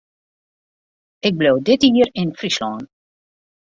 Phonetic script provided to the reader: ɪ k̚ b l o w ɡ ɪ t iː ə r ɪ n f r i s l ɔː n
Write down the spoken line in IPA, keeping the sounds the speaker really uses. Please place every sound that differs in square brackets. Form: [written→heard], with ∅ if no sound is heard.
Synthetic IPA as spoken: ɪ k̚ b l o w [ɡ→d] ɪ t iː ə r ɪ n f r i s l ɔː n